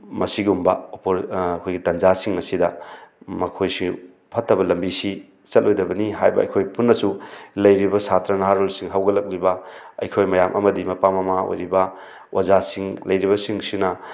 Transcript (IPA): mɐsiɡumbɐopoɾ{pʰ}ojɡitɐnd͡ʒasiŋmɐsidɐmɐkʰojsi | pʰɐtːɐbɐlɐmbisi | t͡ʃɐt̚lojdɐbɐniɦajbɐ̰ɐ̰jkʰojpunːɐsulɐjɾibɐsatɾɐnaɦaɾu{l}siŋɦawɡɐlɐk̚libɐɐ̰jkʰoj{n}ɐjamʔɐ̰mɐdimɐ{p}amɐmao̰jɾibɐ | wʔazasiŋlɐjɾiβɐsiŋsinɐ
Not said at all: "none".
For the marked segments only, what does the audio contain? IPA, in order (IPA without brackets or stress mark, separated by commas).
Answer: kʰ, l, m, p